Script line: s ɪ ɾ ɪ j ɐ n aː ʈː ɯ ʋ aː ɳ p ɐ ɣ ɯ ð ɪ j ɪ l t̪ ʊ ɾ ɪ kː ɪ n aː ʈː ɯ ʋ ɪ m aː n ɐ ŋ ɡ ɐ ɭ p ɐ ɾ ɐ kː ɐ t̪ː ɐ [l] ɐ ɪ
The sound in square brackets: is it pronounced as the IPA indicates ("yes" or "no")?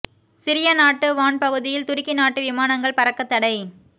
no